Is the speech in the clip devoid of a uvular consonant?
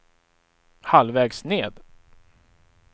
yes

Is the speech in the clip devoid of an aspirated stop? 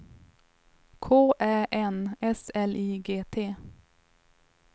no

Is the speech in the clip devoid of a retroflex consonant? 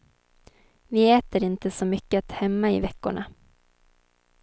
no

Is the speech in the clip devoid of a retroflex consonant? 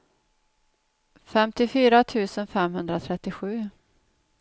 yes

